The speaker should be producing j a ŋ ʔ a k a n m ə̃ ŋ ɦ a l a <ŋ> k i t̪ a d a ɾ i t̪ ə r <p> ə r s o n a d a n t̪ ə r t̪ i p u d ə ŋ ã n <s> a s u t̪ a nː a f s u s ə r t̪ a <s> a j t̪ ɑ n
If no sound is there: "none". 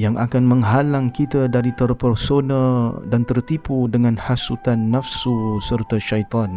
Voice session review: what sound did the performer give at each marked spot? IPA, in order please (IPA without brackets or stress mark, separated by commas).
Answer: ŋ, p, h, ʃ